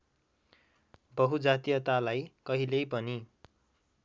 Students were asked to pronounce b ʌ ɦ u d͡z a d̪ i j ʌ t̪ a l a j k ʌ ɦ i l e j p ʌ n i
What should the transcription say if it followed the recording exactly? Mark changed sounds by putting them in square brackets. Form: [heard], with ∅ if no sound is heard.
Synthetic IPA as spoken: b ʌ ɦ u d͡z a [t̪] i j ʌ t̪ a l a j k ʌ ɦ i l e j p ʌ n i